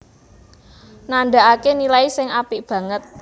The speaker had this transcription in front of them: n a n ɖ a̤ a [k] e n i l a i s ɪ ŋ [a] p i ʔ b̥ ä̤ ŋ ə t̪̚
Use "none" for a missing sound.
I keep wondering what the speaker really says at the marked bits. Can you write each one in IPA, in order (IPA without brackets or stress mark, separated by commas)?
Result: k, a